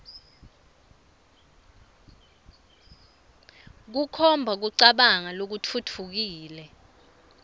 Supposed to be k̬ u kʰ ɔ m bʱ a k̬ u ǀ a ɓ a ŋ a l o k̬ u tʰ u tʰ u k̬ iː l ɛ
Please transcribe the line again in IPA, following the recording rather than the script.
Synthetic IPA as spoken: k̬ u kʰ ɔ m bʱ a k̬ u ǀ a ɓ a ŋ a l o k̬ u tʰ u tʰ u k̬ iː l ɛ